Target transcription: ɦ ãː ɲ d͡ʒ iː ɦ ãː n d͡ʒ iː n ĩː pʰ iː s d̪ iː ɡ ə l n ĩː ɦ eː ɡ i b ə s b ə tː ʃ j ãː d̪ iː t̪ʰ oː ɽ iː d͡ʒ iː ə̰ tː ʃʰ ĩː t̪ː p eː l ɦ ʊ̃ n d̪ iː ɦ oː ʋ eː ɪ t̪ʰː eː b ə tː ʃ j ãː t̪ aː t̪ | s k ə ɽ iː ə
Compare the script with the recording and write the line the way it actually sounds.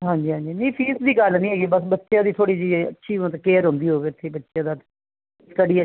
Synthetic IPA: ɦ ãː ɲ d͡ʒ iː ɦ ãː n d͡ʒ iː n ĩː pʰ iː s d̪ iː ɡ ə l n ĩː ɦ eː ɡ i b ə s b ə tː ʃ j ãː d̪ iː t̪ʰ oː ɽ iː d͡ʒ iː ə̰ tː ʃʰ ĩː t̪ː k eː ɾ ɦ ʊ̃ n d̪ iː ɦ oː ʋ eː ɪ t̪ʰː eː b ə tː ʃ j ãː d̪ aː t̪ | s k ə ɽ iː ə